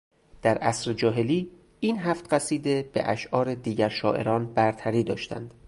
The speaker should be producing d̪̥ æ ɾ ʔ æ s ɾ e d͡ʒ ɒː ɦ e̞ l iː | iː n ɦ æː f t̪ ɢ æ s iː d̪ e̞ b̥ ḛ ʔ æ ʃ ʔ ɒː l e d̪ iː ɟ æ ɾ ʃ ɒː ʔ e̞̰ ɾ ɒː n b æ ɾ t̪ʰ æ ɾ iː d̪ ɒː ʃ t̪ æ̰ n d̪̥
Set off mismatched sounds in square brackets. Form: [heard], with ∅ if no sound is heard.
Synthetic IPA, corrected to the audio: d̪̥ æ ɾ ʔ æ s ɾ e d͡ʒ ɒː ɦ e̞ l iː | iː n ɦ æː f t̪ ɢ æ s iː d̪ e̞ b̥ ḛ ʔ æ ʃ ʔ ɒː [ɾ] e d̪ iː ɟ æ ɾ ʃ ɒː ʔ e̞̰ ɾ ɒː n b æ ɾ t̪ʰ æ ɾ iː d̪ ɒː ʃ t̪ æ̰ n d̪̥